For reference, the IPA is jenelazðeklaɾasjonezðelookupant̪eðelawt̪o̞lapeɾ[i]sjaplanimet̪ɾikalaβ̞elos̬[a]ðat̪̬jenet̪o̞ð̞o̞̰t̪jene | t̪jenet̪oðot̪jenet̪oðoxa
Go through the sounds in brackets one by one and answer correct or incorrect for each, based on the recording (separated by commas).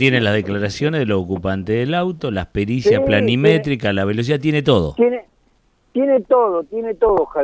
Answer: correct, incorrect